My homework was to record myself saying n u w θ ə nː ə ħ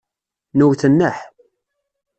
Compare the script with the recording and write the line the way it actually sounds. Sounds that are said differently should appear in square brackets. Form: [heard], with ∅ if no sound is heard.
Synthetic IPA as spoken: n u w θ ə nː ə ħ